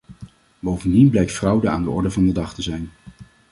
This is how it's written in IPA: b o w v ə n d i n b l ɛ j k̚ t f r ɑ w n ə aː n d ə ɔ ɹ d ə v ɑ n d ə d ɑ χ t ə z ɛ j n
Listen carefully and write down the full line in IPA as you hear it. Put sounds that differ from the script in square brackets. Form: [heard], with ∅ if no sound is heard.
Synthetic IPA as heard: b o w v ə n d i n b l ɛ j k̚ t f r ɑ w [d] ə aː n d ə ɔ ɹ d ə v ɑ n d ə d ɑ χ t ə z ɛ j n